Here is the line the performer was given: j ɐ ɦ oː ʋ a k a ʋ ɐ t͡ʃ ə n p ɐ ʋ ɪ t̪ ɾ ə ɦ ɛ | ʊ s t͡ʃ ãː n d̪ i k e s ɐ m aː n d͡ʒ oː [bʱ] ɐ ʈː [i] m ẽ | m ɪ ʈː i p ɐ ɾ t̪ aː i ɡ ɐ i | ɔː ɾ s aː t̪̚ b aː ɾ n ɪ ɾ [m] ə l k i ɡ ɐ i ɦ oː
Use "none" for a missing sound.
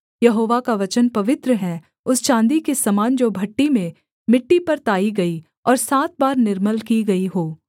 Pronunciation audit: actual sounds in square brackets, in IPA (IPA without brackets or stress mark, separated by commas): bʱ, i, m